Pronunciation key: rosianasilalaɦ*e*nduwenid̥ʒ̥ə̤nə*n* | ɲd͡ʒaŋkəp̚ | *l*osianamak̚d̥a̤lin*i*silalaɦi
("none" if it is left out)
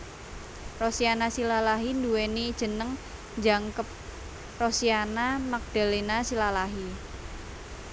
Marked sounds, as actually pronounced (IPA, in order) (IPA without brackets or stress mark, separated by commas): i, ŋ, r, a